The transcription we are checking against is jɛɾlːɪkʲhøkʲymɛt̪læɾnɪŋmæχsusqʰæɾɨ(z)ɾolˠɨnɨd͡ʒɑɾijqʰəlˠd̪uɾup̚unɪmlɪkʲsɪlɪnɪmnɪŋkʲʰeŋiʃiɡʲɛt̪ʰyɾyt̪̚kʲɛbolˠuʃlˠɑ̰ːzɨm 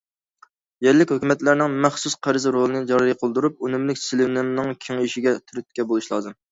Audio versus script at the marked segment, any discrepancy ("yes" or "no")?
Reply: no